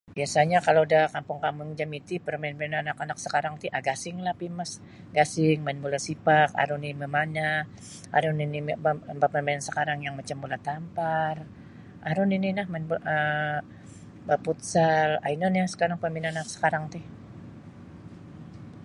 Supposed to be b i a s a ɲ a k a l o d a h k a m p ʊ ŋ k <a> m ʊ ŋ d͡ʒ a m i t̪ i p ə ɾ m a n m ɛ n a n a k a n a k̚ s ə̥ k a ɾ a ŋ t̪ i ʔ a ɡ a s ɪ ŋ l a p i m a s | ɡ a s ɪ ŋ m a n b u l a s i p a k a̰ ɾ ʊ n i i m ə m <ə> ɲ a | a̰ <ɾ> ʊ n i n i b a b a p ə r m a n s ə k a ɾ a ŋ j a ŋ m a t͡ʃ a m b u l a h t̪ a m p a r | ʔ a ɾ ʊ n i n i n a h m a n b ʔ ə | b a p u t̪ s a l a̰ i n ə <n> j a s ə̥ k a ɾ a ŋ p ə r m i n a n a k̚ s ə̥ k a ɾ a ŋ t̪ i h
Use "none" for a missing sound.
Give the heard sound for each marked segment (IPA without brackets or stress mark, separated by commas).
a, a, ɾ, n